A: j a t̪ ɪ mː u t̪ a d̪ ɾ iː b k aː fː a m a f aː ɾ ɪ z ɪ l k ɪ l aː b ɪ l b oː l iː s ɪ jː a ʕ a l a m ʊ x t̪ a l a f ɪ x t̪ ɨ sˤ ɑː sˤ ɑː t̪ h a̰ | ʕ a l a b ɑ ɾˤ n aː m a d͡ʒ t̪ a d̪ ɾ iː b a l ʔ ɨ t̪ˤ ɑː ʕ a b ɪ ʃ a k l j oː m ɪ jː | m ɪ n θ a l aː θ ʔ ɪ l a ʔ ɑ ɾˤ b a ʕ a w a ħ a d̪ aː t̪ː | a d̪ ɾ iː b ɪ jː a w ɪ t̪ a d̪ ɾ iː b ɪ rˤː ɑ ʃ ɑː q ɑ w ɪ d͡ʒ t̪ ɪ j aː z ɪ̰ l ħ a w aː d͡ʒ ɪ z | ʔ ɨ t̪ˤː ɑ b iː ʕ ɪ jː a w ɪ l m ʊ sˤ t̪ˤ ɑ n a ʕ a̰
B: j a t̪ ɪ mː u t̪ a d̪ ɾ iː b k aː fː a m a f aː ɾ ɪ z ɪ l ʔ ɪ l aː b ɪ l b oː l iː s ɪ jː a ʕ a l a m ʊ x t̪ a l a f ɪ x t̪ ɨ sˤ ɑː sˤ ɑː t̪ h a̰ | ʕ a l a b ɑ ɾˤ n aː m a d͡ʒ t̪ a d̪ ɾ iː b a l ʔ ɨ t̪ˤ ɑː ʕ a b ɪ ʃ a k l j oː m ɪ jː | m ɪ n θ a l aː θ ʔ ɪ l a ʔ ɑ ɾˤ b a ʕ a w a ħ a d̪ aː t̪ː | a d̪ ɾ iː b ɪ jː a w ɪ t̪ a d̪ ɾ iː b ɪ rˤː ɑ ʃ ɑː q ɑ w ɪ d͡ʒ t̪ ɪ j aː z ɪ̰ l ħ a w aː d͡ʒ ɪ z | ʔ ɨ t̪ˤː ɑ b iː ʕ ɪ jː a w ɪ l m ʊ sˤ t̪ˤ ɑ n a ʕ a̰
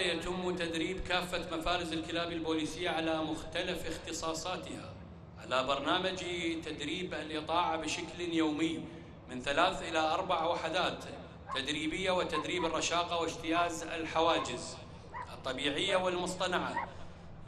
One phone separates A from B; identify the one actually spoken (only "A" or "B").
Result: A